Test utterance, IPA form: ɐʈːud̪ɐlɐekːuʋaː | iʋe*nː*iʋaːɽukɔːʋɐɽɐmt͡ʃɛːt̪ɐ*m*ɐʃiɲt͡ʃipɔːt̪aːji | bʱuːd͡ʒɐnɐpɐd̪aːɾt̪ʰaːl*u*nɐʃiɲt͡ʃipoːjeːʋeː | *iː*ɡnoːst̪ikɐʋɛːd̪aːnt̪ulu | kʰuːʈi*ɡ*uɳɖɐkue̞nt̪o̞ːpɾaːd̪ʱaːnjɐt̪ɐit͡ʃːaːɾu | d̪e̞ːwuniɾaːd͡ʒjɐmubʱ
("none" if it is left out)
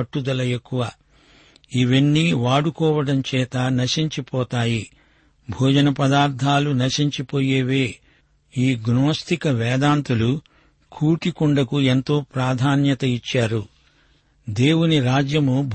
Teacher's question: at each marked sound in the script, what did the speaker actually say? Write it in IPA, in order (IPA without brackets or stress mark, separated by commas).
nː, n, u, iː, k